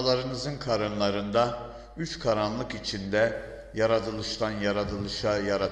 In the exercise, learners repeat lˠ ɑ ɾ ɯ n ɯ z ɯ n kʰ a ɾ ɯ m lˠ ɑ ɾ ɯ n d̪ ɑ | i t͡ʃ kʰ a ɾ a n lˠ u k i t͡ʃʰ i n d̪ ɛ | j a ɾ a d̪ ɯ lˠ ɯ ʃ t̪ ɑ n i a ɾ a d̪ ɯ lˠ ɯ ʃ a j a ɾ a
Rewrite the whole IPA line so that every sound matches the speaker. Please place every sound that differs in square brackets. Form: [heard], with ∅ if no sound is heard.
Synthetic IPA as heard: lˠ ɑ ɾ ɯ n ɯ z ɯ n kʰ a ɾ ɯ [n] lˠ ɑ ɾ ɯ n d̪ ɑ | [y] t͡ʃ kʰ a ɾ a n lˠ [ɯ] k i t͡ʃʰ i n d̪ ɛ | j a ɾ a d̪ ɯ lˠ ɯ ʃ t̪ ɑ n [j] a ɾ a d̪ ɯ lˠ ɯ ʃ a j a ɾ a